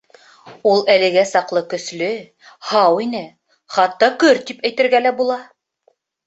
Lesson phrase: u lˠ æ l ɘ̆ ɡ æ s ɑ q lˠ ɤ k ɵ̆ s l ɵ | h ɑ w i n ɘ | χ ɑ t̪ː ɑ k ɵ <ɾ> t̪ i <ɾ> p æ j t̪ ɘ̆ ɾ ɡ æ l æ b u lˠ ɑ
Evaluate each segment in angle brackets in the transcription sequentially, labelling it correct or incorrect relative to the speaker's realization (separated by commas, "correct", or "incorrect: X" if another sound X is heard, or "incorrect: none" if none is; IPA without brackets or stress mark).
correct, incorrect: none